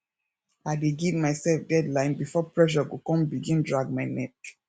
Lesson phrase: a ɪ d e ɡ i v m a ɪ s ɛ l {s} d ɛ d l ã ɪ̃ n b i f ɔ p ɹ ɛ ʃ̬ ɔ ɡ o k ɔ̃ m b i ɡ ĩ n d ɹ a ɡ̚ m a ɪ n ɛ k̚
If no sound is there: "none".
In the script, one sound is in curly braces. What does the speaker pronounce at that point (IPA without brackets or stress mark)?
f